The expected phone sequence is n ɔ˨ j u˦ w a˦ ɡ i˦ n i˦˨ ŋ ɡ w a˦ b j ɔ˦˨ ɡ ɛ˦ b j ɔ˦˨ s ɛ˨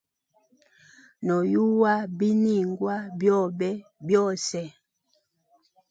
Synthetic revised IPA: n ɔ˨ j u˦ w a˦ b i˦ n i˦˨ ŋ ɡ w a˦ b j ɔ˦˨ b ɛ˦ b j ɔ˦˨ s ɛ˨